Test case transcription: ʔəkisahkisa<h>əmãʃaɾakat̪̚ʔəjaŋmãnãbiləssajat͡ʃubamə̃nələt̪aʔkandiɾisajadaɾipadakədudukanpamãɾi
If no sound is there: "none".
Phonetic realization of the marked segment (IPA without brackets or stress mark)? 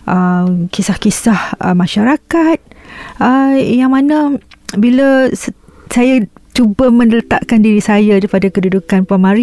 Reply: h